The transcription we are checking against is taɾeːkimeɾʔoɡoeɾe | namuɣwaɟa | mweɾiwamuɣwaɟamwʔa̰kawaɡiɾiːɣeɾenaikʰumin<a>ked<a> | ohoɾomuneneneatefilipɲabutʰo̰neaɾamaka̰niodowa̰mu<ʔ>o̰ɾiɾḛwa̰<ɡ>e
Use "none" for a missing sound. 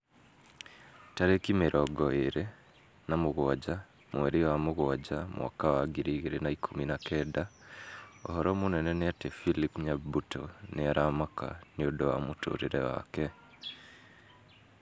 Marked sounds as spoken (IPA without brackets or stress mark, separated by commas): a, a, t, k